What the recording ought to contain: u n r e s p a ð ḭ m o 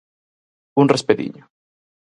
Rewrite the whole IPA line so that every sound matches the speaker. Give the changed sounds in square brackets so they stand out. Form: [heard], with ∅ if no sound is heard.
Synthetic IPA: u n r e s p [e] ð ḭ [ɲ] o